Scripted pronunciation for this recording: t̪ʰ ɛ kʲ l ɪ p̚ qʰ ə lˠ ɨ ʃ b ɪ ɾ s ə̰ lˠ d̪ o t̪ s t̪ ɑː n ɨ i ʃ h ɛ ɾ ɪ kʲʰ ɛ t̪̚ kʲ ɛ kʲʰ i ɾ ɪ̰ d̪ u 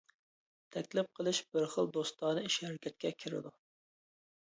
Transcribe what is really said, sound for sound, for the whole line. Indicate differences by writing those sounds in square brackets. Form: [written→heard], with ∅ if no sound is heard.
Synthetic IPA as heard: t̪ʰ ɛ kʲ l ɪ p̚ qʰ ə lˠ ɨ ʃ b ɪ ɾ [s→χ] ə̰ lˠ d̪ o [t̪→∅] s t̪ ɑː n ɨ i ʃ h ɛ ɾ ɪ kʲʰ ɛ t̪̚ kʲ ɛ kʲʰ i ɾ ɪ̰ d̪ u

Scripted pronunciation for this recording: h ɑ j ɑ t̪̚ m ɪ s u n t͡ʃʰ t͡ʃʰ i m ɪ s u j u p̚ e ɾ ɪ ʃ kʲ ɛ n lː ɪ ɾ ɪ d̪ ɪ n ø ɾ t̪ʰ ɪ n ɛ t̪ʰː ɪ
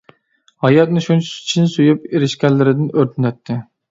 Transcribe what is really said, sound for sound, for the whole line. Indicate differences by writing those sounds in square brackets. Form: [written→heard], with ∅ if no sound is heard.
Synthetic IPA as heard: h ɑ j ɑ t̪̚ [m→n] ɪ [s→ʃ] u n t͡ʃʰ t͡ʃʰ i [m→n] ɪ s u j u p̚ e ɾ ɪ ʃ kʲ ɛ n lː ɪ ɾ ɪ d̪ ɪ n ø ɾ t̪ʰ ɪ n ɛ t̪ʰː ɪ

